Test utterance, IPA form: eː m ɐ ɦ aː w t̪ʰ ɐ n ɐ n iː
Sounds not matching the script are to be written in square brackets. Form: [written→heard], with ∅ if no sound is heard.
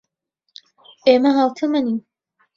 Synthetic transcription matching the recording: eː m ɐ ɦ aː w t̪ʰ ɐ [n→m] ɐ n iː